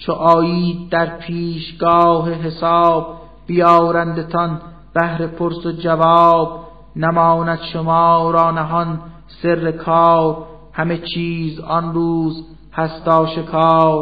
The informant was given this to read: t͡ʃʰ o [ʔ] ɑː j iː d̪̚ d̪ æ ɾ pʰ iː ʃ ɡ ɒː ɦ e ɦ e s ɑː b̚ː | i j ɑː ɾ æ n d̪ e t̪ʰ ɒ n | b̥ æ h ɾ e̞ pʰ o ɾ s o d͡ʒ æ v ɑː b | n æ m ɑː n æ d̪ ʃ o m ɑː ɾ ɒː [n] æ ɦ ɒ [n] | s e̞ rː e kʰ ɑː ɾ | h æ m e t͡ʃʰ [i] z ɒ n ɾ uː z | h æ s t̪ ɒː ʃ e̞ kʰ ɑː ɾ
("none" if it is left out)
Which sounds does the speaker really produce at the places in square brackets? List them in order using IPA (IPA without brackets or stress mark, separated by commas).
ʔ, n, n, iː